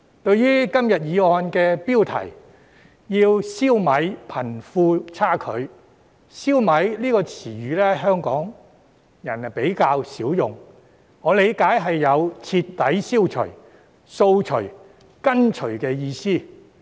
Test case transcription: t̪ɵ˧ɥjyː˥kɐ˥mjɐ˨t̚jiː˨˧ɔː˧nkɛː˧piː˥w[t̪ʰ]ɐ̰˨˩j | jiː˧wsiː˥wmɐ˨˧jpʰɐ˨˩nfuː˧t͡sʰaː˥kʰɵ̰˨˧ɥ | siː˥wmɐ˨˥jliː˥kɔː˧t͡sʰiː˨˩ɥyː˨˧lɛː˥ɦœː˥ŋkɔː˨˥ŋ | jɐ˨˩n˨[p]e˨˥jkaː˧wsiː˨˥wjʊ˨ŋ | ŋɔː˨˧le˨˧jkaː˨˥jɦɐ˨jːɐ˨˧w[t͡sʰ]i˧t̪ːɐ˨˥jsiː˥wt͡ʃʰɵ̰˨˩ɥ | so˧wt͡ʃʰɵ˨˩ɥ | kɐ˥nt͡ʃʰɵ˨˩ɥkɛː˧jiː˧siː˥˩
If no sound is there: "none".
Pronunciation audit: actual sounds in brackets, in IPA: t̪ʰ, p, t͡sʰ

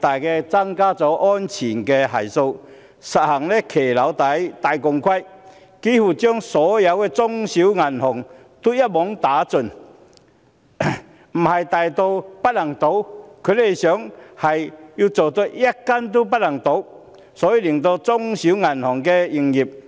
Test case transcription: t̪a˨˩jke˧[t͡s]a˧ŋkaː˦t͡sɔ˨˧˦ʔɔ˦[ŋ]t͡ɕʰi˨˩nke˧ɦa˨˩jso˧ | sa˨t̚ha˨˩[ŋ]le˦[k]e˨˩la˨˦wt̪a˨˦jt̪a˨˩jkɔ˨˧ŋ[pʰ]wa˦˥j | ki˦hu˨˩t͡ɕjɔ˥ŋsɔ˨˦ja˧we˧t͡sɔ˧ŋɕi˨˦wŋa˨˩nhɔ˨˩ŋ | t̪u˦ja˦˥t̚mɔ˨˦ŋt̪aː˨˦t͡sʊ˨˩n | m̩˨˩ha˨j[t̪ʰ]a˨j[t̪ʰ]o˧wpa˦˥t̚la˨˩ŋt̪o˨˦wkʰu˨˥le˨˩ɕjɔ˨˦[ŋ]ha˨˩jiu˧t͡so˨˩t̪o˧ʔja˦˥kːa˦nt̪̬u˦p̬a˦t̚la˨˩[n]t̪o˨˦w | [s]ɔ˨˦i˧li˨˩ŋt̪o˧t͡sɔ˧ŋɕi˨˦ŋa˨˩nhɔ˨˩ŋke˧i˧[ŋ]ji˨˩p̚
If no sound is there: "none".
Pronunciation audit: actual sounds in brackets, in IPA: t͡s, n, ŋ, kʰ, kʰ, t̪, t̪, ŋ, ŋ, s, ŋ

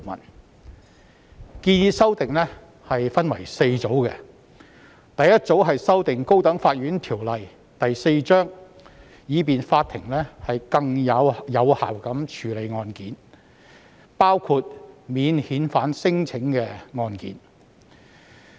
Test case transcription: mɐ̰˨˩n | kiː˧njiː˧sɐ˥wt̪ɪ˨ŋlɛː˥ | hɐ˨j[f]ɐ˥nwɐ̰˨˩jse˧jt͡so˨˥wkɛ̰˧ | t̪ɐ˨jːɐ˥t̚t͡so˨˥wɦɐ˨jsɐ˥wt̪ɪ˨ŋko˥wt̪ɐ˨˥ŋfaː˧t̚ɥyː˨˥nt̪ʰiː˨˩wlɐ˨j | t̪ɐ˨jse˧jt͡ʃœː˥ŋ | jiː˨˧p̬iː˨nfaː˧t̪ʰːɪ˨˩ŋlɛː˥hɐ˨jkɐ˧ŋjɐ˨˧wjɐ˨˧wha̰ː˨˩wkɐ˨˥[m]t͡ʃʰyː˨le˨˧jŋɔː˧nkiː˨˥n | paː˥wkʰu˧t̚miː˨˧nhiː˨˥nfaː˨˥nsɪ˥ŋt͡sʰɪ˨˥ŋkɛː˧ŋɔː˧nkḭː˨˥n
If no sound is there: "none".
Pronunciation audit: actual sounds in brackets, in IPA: f, m

